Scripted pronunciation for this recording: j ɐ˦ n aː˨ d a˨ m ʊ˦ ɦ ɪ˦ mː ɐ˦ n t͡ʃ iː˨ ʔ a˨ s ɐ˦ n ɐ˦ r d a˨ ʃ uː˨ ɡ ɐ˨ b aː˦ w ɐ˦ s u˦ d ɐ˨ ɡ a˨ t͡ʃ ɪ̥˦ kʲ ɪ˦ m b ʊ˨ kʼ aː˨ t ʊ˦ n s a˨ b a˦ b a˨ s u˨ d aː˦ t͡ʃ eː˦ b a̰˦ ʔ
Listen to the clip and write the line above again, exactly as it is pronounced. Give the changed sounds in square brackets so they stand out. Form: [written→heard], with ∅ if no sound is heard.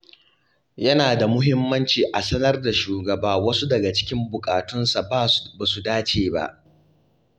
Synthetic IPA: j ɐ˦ n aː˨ d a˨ m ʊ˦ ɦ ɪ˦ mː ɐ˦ n t͡ʃ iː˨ ʔ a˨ s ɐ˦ n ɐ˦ r d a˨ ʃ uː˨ ɡ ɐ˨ b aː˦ w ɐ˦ s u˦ d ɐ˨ ɡ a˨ t͡ʃ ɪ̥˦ kʲ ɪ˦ m b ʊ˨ kʼ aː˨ t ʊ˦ n s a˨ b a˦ b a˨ s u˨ d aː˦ t͡ʃ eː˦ b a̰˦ ʔ